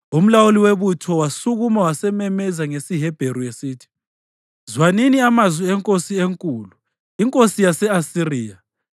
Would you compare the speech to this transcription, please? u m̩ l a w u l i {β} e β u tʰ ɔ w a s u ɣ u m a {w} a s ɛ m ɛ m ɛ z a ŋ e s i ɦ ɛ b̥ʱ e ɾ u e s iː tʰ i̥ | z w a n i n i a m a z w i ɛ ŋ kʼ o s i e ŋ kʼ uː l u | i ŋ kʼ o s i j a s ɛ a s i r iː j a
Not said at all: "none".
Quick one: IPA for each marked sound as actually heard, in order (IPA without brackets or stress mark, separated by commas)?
w, w